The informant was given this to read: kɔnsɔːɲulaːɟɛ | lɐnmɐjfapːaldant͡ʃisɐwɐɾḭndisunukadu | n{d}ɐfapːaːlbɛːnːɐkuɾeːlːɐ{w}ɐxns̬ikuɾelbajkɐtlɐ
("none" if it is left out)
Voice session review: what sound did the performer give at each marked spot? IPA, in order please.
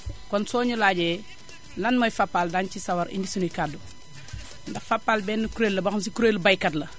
d, b

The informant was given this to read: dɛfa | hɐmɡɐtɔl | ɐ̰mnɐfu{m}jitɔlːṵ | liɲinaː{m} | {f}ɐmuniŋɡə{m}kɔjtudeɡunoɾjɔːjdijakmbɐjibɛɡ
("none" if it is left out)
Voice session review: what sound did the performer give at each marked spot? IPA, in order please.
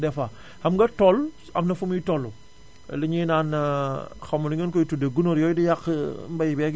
m, n, x, n

